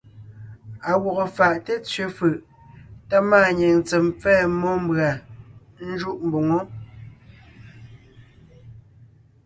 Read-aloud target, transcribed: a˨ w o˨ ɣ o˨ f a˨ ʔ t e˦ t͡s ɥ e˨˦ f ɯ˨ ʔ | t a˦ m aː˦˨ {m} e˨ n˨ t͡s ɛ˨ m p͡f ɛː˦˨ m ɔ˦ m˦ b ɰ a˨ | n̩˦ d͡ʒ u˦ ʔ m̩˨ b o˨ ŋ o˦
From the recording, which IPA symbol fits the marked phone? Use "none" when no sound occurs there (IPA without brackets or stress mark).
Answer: ɲ